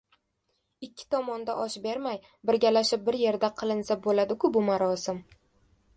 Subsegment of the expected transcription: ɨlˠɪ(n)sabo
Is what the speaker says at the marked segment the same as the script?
yes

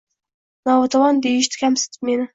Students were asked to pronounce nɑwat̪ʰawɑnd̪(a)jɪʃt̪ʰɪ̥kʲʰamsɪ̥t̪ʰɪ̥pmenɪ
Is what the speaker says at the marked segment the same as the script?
no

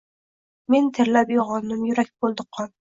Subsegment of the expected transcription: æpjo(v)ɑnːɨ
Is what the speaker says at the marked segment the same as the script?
no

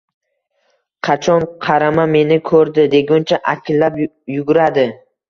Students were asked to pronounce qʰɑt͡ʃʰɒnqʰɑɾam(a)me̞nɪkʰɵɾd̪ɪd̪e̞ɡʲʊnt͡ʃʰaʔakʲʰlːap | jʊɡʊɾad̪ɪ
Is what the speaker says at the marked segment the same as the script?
yes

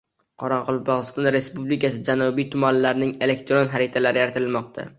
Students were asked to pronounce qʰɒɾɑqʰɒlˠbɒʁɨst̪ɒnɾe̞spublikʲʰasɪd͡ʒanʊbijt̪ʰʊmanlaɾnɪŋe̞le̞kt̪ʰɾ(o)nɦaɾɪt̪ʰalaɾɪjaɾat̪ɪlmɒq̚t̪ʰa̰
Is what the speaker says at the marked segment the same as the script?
yes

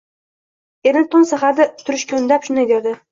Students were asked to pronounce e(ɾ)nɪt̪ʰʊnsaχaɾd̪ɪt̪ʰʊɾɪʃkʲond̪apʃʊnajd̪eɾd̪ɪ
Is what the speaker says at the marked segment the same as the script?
yes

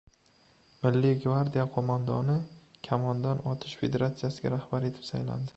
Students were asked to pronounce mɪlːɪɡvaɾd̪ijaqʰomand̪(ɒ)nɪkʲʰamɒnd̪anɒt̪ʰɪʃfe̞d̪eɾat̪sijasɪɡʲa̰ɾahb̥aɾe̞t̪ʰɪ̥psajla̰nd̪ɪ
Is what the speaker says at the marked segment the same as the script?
yes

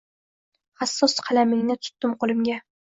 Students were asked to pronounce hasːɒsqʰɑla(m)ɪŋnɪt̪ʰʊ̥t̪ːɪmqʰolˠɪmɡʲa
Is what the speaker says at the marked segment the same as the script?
yes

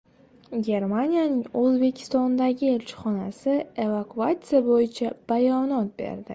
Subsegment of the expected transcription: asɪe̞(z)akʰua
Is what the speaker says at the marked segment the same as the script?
no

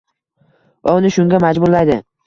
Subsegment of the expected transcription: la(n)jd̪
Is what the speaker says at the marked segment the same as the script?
no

